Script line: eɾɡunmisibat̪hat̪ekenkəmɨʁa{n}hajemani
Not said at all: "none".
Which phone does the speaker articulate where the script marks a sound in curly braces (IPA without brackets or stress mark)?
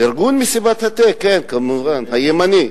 n